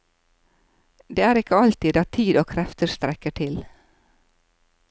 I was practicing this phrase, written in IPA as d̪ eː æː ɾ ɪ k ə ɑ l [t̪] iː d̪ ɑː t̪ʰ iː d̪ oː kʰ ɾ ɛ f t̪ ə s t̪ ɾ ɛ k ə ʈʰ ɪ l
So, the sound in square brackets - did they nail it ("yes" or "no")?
yes